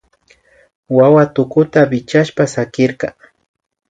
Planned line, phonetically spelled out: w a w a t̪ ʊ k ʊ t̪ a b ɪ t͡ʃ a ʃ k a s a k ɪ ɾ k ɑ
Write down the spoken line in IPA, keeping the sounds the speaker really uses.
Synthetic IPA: w a w a t̪ ʊ k ʊ t̪ a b ɪ t͡ʃ a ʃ p a s a k ɪ ɾ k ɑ

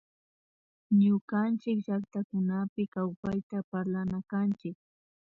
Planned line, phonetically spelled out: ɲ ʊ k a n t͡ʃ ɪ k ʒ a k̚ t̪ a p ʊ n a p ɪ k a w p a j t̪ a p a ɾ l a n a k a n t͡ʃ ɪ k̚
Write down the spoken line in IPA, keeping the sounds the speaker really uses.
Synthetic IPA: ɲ ʊ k a n t͡ʃ ɪ k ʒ a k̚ t̪ a k ʊ n a p ɪ k a w p a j t̪ a p a ɾ l a n a k a n t͡ʃ ɪ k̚

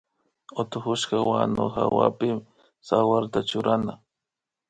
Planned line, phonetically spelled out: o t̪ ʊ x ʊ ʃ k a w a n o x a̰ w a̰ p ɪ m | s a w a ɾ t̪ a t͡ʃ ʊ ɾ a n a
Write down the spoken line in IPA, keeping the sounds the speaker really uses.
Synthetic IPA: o t̪ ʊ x ʊ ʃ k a w a n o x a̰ w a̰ p ɪ m | s a w a ɾ t̪ a t͡ʃ ʊ ɾ a n a

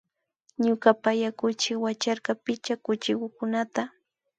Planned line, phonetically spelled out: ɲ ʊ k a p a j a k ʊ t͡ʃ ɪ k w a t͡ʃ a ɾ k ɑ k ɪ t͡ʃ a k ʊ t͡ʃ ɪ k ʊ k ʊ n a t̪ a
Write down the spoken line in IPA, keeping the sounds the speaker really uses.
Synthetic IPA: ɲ ʊ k a p a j a k ʊ t͡ʃ ɪ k w a t͡ʃ a ɾ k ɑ p ɪ t͡ʃ a k ʊ t͡ʃ ɪ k ʊ k ʊ n a t̪ a

